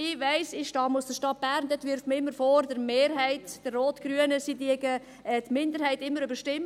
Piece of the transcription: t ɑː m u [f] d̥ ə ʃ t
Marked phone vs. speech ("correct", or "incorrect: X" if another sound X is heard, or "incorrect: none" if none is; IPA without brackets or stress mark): incorrect: s